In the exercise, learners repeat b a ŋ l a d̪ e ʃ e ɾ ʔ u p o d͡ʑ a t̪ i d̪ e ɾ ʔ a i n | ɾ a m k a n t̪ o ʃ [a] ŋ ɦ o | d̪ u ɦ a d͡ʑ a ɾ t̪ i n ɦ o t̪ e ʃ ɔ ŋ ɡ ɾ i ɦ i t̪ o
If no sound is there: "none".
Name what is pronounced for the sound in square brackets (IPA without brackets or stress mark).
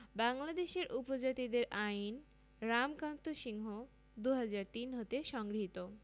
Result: i